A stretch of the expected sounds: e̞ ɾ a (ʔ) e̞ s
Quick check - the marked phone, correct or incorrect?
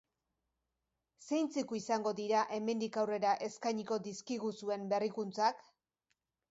correct